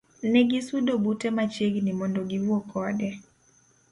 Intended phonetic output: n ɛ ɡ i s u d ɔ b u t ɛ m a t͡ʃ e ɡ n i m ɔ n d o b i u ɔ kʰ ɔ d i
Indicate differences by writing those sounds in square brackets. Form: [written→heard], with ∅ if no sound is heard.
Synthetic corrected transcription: n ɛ ɡ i s u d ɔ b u t ɛ m a t͡ʃ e ɡ n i m ɔ n d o [b→ɡ] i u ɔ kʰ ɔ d [i→ɛ]